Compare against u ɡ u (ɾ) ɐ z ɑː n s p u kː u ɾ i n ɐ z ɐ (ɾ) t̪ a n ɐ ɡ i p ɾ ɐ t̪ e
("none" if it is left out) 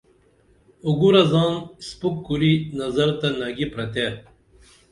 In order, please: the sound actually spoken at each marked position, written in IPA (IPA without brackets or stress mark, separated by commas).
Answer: ɾ, ɾ